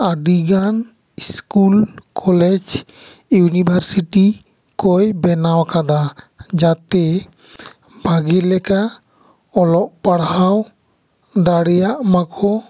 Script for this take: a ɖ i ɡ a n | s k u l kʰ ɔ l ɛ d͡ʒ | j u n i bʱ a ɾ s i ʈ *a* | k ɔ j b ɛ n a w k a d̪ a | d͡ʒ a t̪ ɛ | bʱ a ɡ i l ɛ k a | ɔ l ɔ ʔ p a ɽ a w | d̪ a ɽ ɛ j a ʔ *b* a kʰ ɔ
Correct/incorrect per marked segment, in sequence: incorrect: i, incorrect: m

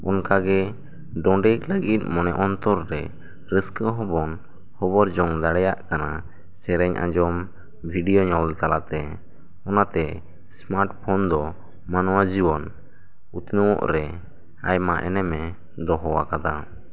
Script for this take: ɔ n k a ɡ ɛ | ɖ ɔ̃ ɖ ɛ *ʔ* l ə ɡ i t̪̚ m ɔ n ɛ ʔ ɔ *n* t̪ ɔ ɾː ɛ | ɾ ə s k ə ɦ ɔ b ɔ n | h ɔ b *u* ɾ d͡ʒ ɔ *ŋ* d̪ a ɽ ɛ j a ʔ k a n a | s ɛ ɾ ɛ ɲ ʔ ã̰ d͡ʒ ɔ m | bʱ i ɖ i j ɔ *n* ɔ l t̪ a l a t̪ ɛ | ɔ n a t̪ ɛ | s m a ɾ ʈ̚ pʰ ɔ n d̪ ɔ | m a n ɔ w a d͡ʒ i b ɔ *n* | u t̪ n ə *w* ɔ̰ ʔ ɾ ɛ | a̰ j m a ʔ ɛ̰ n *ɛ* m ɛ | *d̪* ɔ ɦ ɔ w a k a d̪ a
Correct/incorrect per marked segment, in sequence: incorrect: k, correct, incorrect: ɔ, correct, incorrect: ɲ, correct, correct, correct, correct

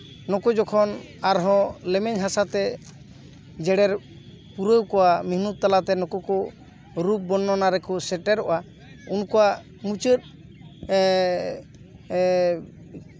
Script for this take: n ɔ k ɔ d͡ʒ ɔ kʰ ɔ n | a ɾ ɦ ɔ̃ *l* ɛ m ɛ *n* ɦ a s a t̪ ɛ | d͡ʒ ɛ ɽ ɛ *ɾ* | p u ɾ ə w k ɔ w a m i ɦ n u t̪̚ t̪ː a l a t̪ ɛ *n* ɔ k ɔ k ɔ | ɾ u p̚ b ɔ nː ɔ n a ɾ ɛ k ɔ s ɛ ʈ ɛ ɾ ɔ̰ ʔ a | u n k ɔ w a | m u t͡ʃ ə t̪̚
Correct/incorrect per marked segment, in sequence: correct, incorrect: ɲ, correct, correct

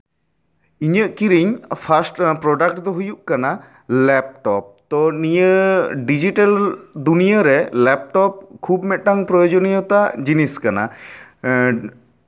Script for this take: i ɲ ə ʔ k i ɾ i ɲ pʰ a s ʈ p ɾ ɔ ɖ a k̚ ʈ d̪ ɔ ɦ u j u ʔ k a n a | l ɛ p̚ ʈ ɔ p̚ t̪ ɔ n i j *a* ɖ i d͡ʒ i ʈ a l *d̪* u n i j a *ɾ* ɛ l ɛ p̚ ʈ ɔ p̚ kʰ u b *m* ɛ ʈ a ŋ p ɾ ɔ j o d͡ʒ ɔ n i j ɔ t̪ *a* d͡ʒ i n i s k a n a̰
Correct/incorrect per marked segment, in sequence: incorrect: ə, correct, correct, correct, correct

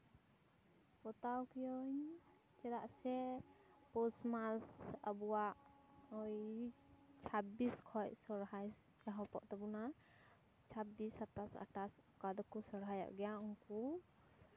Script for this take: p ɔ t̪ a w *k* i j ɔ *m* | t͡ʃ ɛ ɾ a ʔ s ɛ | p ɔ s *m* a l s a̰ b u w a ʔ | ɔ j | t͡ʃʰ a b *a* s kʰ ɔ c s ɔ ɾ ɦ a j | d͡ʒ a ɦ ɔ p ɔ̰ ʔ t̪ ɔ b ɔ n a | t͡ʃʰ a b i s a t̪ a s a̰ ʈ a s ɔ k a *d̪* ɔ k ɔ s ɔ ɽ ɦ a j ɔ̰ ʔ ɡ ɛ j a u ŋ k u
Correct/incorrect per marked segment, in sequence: correct, incorrect: ɲ, correct, incorrect: i, correct

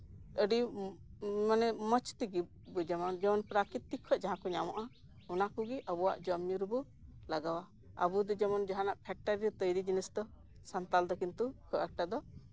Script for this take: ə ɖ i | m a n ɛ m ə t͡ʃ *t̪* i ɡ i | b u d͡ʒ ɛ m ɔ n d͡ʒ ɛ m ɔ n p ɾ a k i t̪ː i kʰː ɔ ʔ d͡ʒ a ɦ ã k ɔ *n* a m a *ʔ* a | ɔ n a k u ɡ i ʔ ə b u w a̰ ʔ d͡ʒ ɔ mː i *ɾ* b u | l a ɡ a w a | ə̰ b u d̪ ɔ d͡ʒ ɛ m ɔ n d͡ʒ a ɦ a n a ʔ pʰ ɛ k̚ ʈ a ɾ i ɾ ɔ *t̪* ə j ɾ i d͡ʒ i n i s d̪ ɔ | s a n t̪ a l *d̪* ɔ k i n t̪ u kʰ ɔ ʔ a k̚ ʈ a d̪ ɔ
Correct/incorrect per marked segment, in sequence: correct, incorrect: ɲ, correct, correct, correct, correct

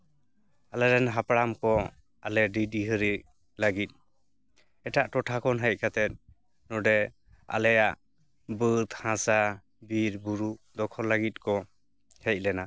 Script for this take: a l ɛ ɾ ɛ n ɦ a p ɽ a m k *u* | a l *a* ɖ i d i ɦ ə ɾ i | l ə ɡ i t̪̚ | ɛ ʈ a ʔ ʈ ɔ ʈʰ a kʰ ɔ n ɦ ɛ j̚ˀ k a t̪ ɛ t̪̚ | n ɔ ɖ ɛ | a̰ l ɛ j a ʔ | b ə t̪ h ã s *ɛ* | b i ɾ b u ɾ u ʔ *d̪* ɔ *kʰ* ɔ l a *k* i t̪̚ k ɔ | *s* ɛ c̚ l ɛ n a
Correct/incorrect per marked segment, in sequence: incorrect: ɔ, incorrect: ɛ, incorrect: a, correct, correct, incorrect: ɡ, incorrect: h

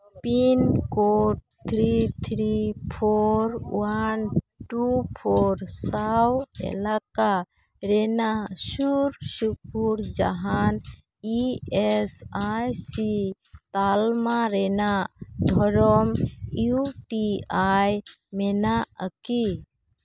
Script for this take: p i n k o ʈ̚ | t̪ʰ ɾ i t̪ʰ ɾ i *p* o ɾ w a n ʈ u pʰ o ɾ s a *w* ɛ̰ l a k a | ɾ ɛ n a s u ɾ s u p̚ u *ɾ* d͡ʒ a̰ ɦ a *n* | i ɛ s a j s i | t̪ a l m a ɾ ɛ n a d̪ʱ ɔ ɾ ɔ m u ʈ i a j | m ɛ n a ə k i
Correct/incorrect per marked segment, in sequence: incorrect: pʰ, correct, correct, correct

